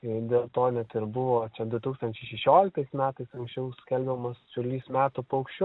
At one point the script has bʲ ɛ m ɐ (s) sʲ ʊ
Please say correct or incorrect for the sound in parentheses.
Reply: correct